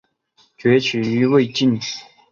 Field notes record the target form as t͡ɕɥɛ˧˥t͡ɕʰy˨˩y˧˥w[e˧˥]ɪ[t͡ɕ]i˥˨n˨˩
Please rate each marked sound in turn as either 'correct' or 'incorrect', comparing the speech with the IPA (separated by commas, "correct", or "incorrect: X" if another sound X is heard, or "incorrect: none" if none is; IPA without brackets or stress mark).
incorrect: e˥˧, correct